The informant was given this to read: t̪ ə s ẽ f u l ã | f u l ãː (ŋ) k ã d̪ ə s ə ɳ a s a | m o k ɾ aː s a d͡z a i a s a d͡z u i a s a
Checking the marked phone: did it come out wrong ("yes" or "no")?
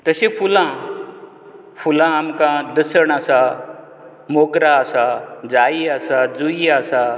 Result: yes